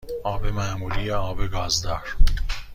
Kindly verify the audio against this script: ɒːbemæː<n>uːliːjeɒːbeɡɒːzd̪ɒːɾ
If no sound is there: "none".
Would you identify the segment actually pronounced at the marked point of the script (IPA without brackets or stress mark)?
m